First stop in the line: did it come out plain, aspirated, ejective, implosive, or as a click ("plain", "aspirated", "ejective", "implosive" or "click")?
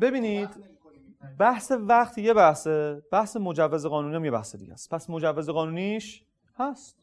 plain